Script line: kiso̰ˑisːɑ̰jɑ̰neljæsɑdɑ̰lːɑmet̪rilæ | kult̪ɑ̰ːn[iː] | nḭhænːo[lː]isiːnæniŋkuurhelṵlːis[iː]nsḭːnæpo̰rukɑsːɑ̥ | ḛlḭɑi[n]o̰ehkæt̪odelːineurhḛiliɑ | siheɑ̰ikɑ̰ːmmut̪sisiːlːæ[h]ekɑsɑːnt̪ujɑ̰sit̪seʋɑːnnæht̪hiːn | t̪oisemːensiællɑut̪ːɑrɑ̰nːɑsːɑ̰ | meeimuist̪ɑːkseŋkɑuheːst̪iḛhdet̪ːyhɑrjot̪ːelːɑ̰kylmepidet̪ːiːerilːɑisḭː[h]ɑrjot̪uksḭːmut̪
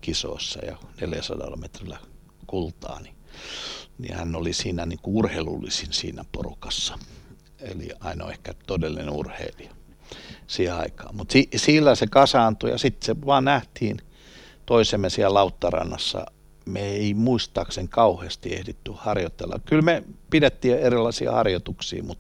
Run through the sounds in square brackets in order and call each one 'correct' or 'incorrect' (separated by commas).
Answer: incorrect, incorrect, incorrect, correct, incorrect, correct